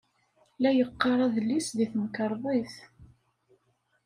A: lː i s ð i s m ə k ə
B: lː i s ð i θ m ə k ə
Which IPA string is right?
B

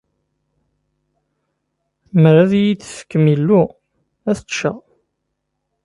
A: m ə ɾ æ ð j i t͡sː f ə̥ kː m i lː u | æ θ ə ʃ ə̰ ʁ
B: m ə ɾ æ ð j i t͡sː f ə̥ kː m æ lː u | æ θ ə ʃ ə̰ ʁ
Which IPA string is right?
A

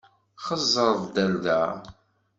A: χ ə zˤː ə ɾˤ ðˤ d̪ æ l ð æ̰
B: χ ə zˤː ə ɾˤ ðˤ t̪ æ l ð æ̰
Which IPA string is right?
A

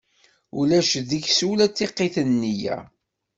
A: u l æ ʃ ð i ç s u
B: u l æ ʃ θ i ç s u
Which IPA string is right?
A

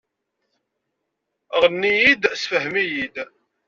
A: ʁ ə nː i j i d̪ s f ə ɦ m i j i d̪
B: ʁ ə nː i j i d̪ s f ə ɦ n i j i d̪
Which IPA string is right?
A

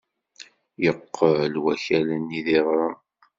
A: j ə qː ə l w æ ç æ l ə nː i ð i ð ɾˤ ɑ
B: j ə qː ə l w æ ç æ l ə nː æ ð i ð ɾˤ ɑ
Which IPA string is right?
A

